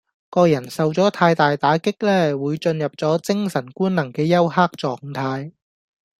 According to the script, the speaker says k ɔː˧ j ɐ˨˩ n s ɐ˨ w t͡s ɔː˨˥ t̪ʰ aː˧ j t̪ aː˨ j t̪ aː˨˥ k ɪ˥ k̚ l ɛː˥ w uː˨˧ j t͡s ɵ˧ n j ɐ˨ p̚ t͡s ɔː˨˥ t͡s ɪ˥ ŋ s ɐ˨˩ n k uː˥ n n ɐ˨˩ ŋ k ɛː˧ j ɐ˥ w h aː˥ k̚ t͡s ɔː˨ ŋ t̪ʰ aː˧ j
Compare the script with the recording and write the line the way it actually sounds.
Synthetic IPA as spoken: k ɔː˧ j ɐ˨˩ n s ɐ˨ w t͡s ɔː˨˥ t̪ʰ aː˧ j t̪ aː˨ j t̪ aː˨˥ k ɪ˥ k̚ l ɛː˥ w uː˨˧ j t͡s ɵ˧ n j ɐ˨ p̚ t͡s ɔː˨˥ t͡s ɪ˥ ŋ s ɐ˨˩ n k uː˥ n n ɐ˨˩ ŋ k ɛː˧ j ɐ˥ w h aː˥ k̚ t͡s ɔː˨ ŋ t̪ʰ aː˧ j